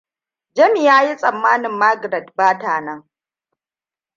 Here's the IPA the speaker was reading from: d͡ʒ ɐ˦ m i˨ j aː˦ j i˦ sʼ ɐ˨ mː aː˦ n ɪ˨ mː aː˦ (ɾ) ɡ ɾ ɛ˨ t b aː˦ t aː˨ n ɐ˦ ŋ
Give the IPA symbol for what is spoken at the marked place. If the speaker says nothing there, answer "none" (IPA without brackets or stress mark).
none